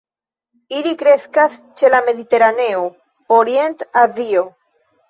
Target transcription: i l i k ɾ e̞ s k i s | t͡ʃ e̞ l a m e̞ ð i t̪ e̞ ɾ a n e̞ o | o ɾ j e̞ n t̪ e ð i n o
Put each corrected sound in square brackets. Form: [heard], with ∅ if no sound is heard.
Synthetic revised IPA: i l i k ɾ e̞ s k [a] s | t͡ʃ e̞ l a m e̞ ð i t̪ e̞ ɾ a n e̞ o | o ɾ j e̞ n t̪ [a] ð i [∅] o